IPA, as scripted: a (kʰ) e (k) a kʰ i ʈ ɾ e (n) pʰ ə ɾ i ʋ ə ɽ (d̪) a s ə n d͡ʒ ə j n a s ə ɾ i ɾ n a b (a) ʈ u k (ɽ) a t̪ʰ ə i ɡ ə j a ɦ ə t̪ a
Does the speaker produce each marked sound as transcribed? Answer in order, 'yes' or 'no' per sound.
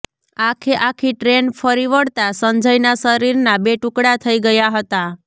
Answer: yes, no, yes, no, no, yes

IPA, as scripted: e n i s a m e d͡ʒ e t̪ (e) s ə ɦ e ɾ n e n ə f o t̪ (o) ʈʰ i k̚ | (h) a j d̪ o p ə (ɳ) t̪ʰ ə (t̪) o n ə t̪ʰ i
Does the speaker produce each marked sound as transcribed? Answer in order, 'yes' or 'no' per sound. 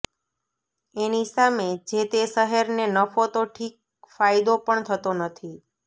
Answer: yes, yes, no, yes, yes

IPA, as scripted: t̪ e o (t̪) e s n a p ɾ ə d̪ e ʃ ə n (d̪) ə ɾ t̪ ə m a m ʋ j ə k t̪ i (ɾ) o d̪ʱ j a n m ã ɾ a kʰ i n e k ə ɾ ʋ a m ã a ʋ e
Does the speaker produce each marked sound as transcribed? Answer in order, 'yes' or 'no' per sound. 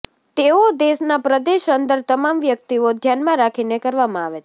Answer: no, yes, no

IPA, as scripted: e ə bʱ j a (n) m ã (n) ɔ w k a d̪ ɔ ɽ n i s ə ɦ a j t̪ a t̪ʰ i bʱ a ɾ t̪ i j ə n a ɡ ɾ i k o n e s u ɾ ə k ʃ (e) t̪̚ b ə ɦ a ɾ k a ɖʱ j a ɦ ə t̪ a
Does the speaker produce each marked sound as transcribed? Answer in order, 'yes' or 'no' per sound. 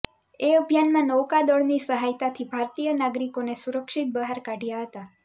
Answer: yes, yes, no

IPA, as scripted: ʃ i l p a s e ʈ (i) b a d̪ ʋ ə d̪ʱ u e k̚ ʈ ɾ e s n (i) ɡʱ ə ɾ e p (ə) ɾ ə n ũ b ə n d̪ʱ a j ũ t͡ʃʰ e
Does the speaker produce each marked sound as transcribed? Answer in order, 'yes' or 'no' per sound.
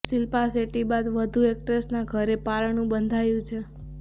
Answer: yes, no, no

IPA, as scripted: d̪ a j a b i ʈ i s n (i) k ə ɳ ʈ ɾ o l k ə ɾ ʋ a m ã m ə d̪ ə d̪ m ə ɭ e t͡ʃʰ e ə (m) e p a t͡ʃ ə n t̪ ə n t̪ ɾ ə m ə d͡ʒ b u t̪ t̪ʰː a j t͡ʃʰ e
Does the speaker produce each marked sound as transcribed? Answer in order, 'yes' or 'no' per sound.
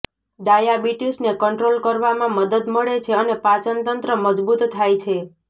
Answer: no, no

